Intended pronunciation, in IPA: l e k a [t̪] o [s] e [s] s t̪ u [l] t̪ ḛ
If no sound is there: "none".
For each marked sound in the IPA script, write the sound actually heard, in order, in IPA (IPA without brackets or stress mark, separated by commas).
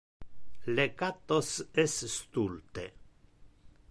t̪, s, s, l